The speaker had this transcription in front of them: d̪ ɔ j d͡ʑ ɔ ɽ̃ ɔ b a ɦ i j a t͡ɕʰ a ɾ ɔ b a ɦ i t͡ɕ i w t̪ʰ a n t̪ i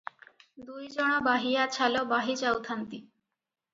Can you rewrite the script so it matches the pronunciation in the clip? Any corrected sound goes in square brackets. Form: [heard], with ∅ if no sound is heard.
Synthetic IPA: d̪ [u] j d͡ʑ ɔ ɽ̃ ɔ b a ɦ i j a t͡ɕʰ a [l] ɔ b a ɦ i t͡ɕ [a] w t̪ʰ a n t̪ i